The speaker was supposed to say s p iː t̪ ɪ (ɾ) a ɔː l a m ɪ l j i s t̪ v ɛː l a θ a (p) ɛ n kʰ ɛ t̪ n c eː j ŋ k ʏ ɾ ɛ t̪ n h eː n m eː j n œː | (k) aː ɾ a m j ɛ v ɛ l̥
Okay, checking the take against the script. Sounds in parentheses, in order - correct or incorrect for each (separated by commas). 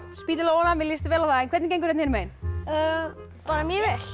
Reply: incorrect, incorrect, incorrect